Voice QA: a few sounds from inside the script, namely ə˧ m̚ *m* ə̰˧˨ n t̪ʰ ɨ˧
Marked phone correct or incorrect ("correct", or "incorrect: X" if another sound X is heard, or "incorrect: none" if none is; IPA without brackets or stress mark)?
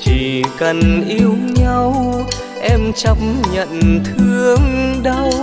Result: incorrect: ɲ